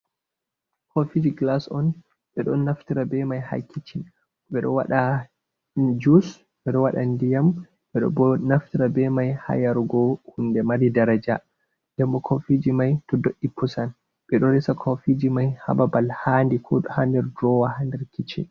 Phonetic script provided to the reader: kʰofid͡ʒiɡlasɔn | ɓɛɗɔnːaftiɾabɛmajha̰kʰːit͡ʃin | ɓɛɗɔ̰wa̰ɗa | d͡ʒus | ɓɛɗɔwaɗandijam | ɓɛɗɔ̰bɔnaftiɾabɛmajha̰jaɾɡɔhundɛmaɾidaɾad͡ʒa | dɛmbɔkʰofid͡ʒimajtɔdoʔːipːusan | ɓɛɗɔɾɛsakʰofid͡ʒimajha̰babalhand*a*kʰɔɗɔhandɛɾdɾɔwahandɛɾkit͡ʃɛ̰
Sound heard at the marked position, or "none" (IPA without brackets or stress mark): i